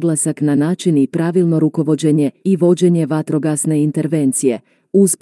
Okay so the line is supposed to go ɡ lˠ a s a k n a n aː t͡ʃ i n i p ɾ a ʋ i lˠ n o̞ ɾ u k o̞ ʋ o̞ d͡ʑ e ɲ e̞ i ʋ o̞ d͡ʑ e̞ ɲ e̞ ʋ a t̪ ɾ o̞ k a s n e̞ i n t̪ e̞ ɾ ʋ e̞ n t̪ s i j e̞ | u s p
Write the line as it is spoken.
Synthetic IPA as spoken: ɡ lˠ a s a k n a n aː t͡ʃ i n i p ɾ a ʋ i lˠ n o̞ ɾ u k o̞ ʋ o̞ d͡ʑ e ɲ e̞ i ʋ o̞ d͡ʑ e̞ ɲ e̞ ʋ a t̪ ɾ o̞ ɡ a s n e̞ i n t̪ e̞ ɾ ʋ e̞ n t̪ s i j e̞ | u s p